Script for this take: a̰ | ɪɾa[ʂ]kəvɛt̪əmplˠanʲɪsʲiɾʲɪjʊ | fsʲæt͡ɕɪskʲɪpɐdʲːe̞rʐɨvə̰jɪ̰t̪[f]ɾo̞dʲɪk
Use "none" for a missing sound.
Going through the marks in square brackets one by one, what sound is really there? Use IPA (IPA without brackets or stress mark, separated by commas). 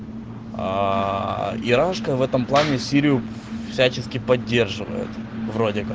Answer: ʂ, v